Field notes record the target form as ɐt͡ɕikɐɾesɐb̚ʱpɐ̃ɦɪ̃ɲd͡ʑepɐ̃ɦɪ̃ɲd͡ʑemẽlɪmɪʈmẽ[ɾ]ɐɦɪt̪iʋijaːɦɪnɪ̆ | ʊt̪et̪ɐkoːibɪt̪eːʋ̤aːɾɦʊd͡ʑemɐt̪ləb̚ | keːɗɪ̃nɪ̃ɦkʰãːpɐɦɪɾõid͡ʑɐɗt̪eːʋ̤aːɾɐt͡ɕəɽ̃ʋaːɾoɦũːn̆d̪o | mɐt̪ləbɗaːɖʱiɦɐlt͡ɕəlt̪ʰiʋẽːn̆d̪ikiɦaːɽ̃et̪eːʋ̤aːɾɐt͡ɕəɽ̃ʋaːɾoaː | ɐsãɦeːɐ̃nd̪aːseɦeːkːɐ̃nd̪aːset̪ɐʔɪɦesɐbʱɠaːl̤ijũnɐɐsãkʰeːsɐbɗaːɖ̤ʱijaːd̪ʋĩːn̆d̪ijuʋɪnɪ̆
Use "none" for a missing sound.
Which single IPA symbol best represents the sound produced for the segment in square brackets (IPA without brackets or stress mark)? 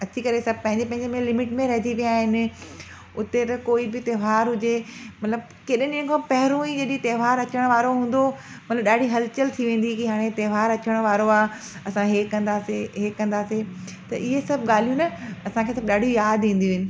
ɾ